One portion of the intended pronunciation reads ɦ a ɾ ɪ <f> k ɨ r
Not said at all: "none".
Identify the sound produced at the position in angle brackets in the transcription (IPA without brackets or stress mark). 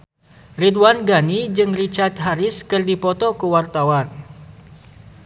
s